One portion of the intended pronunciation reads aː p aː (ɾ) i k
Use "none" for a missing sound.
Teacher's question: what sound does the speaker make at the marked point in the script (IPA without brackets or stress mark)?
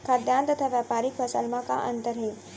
ɾ